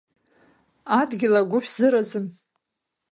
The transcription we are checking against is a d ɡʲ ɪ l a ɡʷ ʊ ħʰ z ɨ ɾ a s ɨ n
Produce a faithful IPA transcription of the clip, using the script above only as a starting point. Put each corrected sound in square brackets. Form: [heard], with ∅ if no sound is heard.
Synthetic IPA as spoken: a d ɡʲ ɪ l a ɡʷ ʊ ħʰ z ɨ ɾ a [z] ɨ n